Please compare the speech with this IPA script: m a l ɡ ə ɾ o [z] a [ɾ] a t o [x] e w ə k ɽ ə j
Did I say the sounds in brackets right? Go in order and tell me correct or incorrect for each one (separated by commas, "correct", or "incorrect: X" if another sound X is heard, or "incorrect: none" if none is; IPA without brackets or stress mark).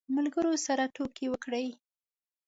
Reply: incorrect: s, correct, incorrect: k